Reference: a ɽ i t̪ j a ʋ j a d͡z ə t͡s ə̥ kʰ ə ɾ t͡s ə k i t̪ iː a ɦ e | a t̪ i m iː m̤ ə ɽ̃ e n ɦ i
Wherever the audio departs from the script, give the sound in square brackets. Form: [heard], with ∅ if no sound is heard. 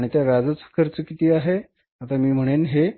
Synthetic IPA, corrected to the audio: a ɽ i t̪ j a ʋ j a d͡z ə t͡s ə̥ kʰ ə ɾ t͡s ə k i t̪ iː a ɦ e | a t̪ [a] m iː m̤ ə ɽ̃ e n ɦ [e]